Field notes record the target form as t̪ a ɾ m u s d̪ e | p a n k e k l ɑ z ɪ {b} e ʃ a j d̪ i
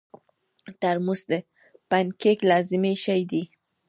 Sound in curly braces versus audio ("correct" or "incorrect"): incorrect